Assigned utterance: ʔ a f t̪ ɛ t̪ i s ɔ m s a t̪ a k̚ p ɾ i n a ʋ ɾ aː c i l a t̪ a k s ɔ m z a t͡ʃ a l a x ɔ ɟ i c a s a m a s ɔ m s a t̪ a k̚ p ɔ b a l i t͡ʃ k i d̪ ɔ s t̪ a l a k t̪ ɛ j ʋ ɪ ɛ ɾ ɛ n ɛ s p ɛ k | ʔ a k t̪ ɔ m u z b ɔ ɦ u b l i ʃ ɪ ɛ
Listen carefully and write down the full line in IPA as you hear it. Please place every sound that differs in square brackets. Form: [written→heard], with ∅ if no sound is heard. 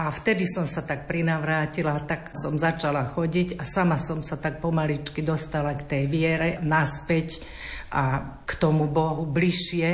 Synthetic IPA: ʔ a f t̪ ɛ [t̪→d̪] i s ɔ m s a t̪ a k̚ p ɾ i n a ʋ ɾ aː c i l a t̪ a k s ɔ m z a t͡ʃ a l a x ɔ ɟ i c a s a m a s ɔ m s a t̪ a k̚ p ɔ [b→m] a l i t͡ʃ k i d̪ ɔ s t̪ a l a k t̪ ɛ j ʋ ɪ ɛ ɾ ɛ n [ɛ→a] s p ɛ [k→c] | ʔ a k t̪ ɔ m u [z→∅] b ɔ ɦ u b l i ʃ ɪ ɛ